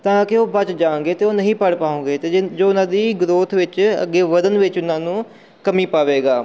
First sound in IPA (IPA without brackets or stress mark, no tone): t̪